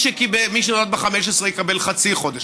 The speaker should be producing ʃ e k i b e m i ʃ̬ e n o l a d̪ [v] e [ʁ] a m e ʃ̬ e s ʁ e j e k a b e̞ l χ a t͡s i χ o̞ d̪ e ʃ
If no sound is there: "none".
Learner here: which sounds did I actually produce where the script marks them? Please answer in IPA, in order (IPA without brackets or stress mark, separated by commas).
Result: b, χ